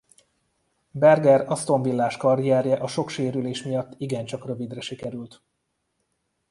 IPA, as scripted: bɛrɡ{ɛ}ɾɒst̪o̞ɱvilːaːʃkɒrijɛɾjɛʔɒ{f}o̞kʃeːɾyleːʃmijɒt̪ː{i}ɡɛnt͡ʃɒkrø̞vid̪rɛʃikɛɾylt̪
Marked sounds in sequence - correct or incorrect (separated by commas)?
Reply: correct, incorrect, correct